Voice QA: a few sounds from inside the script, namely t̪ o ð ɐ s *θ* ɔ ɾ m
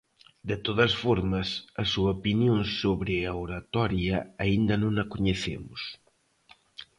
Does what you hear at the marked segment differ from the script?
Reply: yes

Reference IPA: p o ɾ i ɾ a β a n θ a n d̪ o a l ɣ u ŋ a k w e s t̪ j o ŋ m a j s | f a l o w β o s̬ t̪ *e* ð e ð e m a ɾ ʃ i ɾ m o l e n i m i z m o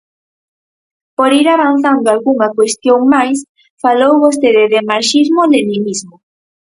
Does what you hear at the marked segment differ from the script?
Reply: no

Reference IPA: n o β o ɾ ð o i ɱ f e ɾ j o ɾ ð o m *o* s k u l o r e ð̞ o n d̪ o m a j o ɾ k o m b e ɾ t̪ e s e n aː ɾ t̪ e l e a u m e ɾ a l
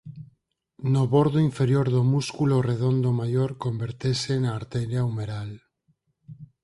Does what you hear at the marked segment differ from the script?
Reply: yes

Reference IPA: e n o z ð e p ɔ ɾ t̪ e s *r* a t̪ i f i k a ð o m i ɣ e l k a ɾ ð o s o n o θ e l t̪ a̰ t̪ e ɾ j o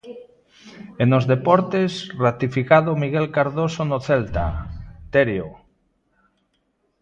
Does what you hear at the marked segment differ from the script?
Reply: no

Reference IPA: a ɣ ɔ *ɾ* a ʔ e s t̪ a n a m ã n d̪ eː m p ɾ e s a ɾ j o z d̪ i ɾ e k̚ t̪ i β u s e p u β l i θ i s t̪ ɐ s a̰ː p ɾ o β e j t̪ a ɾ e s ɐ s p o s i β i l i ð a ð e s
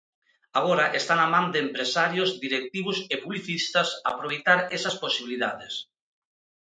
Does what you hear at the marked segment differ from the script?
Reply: no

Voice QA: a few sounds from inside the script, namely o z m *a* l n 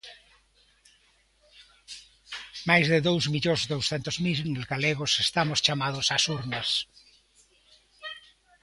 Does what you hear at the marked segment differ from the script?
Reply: yes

